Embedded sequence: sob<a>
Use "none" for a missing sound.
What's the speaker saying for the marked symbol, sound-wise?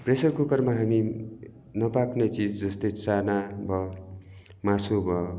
ʌ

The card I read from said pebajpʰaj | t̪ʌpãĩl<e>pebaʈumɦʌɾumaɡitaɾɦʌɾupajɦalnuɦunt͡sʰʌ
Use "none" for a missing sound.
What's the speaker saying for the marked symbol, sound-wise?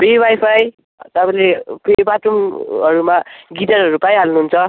e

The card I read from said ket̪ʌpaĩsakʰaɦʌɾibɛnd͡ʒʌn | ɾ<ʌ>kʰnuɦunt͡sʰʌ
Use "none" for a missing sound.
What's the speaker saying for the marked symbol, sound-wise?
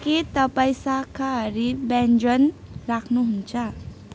a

